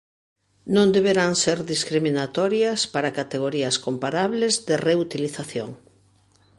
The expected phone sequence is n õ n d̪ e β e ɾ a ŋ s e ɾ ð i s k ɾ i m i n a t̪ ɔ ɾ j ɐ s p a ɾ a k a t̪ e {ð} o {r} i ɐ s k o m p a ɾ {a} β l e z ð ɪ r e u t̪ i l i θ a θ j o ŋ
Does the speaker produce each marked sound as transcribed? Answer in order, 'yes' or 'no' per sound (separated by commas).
no, no, yes